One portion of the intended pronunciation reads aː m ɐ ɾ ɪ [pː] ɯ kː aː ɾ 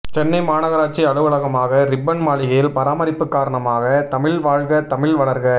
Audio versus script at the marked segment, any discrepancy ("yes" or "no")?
no